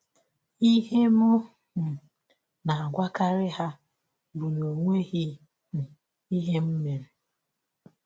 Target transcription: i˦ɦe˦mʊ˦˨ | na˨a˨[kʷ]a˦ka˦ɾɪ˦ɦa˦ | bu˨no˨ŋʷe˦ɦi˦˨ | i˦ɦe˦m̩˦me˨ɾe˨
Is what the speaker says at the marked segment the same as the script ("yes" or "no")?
no